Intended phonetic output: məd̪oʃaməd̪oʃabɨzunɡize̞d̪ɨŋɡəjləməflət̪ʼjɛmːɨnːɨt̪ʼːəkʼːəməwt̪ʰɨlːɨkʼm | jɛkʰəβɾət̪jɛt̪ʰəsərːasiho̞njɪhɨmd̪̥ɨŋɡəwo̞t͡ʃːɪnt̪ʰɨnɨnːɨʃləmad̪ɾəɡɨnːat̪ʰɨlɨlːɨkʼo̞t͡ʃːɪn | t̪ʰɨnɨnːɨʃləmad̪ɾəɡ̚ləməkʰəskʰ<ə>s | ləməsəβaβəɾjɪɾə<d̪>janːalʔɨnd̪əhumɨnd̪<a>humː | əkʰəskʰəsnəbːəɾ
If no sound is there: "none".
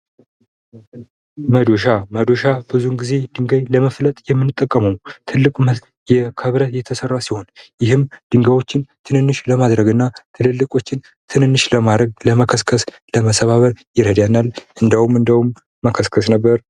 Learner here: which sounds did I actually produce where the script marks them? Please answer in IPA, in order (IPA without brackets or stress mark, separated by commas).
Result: ə, d̪, ə